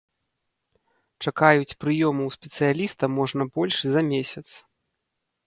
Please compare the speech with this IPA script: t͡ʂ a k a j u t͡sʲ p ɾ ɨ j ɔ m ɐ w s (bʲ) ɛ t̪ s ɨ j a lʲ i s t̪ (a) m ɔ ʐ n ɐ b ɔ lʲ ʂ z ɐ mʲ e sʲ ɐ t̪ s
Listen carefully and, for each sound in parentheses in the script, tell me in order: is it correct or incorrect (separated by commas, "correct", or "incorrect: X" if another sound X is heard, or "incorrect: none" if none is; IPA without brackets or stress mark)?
incorrect: pʲ, incorrect: ɐ